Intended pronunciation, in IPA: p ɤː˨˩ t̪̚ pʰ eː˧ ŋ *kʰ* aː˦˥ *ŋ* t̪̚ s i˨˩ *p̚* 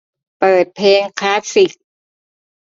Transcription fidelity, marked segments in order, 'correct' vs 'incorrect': correct, incorrect, incorrect

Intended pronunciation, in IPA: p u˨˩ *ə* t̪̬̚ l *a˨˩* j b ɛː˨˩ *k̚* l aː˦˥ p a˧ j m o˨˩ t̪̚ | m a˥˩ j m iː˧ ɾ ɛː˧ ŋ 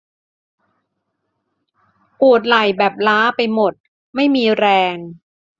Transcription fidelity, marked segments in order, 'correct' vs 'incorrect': correct, correct, incorrect

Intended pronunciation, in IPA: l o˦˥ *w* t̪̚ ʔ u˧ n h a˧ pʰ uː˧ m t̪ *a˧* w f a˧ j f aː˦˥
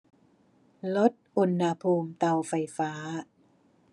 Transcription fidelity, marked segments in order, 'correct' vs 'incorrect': incorrect, correct

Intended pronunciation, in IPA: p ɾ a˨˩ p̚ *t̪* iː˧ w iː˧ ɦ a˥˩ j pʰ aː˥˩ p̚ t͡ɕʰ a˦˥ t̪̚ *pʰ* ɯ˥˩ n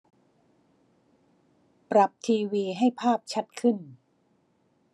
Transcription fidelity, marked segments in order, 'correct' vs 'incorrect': incorrect, incorrect

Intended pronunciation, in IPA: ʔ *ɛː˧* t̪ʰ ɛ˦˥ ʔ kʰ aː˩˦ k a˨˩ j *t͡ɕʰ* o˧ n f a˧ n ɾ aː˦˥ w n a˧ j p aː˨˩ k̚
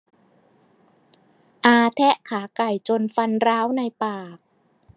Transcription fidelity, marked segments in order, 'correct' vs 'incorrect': incorrect, incorrect

